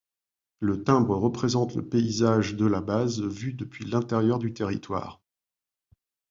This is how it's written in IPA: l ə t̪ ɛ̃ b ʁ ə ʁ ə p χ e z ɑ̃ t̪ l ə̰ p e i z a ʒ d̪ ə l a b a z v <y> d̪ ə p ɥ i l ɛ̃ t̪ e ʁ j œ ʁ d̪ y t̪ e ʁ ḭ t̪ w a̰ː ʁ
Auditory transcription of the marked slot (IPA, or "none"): y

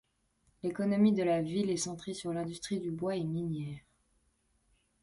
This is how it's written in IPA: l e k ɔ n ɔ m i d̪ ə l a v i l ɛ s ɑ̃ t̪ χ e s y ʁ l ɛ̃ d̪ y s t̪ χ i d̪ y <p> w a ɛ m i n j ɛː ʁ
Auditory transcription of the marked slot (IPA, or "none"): b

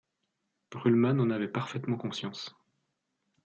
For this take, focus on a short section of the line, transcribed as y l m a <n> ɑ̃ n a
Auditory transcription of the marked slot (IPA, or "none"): n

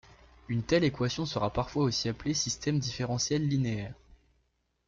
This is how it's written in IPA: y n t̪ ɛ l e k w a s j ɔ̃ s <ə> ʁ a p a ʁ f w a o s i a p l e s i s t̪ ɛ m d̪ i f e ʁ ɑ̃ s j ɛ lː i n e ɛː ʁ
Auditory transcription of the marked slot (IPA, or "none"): ə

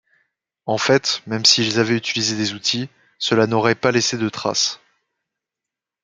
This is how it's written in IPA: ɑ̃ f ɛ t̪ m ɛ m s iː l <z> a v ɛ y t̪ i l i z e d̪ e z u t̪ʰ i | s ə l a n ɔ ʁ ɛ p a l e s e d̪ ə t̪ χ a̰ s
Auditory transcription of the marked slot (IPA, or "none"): z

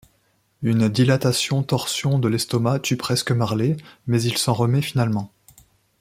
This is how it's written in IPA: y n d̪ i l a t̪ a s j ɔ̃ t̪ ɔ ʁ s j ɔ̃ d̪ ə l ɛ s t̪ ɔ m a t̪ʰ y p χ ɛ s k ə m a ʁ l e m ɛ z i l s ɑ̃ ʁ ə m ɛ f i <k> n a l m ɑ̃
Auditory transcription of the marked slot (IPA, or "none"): none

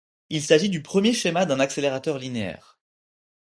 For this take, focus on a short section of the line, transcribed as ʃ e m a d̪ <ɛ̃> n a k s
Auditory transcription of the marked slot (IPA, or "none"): ɛ̃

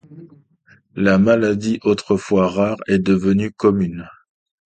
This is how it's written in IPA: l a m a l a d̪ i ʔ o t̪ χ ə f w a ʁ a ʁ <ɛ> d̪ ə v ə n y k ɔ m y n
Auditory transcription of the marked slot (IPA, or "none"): ɛ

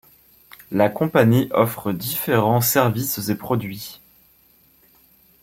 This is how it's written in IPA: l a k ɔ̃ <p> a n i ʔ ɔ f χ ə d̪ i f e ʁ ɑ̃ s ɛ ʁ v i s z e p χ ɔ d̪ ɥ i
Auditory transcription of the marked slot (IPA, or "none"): p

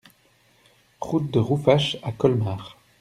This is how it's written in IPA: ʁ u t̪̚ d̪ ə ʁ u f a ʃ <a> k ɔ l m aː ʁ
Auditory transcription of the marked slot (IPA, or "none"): a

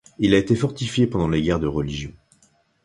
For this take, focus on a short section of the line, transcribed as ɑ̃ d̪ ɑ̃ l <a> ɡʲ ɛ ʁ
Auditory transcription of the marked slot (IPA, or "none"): e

